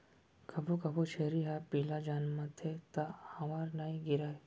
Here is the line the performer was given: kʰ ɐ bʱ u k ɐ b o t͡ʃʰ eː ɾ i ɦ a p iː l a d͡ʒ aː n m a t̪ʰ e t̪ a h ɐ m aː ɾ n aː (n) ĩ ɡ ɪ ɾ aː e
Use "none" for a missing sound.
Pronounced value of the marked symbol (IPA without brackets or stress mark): none